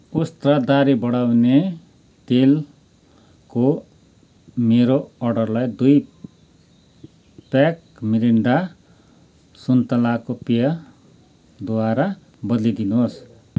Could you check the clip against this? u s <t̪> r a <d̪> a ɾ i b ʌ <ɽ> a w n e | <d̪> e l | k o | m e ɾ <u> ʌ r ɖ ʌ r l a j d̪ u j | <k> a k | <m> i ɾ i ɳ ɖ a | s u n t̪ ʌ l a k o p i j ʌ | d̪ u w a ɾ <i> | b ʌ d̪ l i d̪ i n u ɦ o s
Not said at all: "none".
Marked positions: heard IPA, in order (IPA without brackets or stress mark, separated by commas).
t̪, d̪, ɽ, t̪, o, p, m, a